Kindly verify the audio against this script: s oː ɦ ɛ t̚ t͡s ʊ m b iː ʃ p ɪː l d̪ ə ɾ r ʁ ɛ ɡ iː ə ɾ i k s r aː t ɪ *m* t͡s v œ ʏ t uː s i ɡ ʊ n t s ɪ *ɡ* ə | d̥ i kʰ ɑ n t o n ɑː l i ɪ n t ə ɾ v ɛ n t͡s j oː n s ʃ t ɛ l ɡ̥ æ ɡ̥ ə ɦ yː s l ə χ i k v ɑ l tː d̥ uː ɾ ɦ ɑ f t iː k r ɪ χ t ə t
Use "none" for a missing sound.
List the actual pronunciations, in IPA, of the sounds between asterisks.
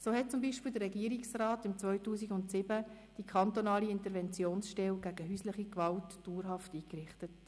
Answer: m, b

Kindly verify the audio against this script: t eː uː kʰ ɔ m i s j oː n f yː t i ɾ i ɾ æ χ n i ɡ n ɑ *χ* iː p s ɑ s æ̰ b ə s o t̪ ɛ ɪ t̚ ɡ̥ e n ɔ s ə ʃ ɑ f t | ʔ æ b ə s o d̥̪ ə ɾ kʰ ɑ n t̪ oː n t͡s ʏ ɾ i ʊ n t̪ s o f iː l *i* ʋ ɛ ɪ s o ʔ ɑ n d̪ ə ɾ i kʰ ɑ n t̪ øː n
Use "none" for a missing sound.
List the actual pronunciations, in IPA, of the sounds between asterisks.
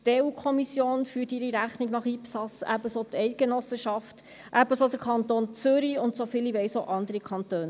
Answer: χ, i

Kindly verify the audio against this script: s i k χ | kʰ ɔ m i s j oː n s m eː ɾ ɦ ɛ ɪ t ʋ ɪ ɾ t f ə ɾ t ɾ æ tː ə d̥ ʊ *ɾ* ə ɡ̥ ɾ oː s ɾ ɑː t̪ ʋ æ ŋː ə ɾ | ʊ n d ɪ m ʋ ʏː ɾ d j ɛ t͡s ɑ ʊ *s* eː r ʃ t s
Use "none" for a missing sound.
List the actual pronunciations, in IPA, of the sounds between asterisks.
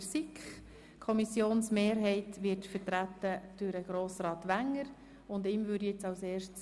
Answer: ɾ, s

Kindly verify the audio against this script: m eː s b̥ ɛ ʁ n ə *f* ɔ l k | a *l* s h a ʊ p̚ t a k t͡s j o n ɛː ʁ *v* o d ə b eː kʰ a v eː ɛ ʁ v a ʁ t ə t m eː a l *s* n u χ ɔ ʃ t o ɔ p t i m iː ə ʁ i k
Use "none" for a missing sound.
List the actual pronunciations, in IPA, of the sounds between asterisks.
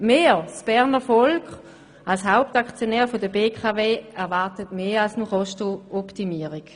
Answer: f, l, f, s

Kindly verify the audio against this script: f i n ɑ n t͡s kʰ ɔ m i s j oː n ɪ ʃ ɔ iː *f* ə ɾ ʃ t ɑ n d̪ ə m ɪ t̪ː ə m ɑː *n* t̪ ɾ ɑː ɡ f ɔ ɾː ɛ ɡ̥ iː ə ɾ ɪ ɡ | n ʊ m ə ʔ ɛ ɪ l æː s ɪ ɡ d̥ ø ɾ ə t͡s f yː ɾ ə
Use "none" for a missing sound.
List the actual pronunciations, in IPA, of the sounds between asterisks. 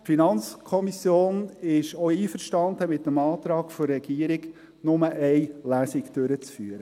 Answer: f, none

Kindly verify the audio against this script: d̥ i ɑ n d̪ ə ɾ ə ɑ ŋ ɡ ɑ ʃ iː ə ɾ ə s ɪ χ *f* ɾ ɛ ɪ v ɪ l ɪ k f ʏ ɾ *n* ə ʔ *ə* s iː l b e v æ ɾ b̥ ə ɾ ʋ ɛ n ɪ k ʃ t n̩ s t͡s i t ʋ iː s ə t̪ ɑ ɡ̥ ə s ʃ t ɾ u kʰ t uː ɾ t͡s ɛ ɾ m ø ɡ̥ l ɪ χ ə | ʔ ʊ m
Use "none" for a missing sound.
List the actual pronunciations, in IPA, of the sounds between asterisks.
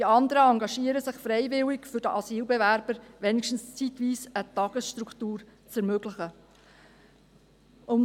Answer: f, d, ɑ

